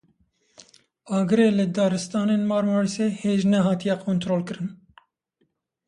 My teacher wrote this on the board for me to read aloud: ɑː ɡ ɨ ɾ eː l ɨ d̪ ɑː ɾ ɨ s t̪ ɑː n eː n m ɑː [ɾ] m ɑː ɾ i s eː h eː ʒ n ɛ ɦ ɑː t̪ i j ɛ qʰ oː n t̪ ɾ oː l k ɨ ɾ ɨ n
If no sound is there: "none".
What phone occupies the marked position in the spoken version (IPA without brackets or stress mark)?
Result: ɾ